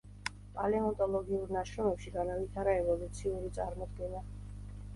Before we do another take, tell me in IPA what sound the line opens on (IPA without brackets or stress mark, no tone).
pʼ